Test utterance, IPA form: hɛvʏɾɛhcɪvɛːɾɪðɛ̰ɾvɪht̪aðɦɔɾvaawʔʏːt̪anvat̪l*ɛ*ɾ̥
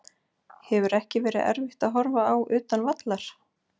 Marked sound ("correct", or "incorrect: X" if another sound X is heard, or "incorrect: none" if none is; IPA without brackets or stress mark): incorrect: a